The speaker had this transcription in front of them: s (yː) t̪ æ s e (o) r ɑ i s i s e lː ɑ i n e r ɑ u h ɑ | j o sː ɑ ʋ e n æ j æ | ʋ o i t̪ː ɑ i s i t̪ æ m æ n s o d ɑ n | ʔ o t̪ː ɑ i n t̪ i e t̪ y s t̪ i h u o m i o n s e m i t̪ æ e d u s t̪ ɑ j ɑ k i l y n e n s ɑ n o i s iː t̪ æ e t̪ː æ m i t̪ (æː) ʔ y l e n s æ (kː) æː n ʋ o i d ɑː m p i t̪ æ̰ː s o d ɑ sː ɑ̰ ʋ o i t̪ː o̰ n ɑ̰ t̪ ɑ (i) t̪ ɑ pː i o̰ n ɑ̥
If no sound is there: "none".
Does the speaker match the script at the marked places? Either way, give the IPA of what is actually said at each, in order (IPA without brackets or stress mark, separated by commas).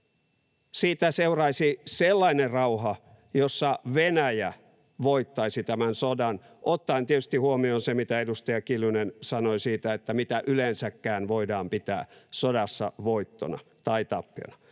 iː, u, æ, kː, i